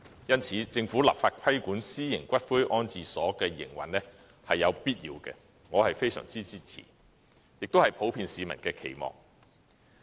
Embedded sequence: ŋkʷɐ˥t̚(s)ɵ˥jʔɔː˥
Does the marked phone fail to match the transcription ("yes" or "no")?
yes